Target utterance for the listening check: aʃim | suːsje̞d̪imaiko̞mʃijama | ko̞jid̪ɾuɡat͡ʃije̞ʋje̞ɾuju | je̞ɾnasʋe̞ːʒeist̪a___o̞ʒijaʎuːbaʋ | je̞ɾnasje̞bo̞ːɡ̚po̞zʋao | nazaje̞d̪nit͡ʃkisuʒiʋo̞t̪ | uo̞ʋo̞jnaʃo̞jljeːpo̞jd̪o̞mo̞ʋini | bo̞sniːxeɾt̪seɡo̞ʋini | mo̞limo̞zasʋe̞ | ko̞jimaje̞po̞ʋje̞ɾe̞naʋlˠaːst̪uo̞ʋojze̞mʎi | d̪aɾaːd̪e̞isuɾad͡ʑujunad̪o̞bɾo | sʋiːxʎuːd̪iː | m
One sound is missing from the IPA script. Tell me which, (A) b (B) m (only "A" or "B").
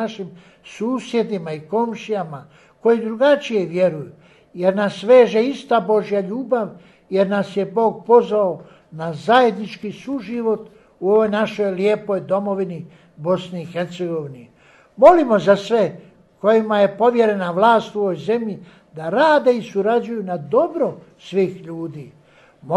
A